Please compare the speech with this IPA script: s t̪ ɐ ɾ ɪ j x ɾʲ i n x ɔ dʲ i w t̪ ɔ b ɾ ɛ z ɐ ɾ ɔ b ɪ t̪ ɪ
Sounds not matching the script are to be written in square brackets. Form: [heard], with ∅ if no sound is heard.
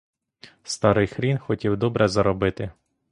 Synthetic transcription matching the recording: s t̪ [ɑ] ɾ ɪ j x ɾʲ i n x ɔ [tʲ] i w [d̪] ɔ b ɾ ɛ z ɐ ɾ ɔ b ɪ t̪ ɪ